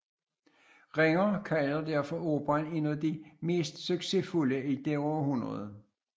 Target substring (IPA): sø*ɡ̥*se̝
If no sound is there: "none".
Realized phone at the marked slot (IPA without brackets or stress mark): ɡ̥